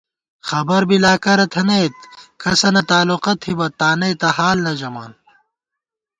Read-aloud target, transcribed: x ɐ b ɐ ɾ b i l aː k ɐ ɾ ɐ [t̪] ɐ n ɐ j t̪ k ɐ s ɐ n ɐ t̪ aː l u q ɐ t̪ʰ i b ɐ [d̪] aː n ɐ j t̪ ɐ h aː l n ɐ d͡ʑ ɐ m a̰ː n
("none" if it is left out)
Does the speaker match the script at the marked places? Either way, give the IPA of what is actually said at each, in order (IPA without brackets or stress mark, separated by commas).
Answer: t̪ʰ, t̪